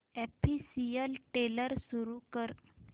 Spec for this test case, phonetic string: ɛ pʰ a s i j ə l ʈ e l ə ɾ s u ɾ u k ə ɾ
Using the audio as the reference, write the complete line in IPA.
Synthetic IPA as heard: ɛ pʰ i s i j ə l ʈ e l ə ɾ s u ɾ u k ə ɾ